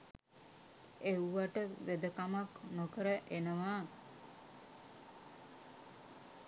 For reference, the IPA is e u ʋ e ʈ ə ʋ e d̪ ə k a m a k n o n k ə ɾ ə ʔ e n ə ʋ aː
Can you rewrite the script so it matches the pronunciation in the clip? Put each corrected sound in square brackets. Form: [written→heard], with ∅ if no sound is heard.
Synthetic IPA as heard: e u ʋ [e→a] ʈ ə ʋ e d̪ ə k a m a k n o [n→∅] k ə ɾ ə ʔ e n ə ʋ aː